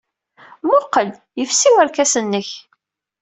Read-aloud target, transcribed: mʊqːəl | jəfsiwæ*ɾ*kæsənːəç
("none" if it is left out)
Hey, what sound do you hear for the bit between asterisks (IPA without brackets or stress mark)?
ɾ